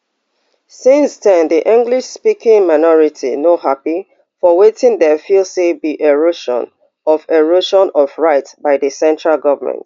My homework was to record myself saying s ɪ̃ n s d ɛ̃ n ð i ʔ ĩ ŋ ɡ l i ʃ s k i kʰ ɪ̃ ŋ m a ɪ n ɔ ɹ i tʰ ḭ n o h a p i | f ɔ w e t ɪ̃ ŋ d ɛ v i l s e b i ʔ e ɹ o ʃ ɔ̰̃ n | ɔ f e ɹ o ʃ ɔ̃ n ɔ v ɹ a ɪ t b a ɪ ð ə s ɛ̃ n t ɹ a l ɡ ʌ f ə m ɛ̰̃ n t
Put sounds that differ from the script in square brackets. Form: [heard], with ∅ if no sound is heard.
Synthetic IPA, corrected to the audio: s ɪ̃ n s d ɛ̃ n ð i ʔ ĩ ŋ ɡ l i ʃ s [p] i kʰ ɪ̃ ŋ m a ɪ n ɔ ɹ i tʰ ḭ n o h a p i | f ɔ w e t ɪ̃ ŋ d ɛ [f] i l s e b i ʔ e ɹ o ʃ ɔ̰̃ n | ɔ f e ɹ o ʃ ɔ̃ n ɔ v ɹ a ɪ t b a ɪ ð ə s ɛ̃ n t ɹ a l ɡ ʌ [v] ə m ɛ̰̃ n t